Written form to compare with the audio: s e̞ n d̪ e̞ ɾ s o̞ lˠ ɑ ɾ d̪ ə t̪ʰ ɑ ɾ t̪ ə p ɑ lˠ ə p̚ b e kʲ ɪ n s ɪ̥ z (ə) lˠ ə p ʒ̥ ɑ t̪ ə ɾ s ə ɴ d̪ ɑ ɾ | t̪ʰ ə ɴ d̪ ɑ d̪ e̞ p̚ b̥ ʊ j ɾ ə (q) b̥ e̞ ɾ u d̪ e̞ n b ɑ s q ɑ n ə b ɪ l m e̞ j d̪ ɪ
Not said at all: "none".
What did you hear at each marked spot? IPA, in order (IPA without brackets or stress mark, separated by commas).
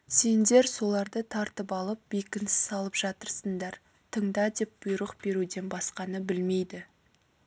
ɑ, q